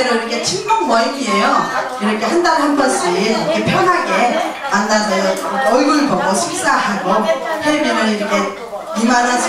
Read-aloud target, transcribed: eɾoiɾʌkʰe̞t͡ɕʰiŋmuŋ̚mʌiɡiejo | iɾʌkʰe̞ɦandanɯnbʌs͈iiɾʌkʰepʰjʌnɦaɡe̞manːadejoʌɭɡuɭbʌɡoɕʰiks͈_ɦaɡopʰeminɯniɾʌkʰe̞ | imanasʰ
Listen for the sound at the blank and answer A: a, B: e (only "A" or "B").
A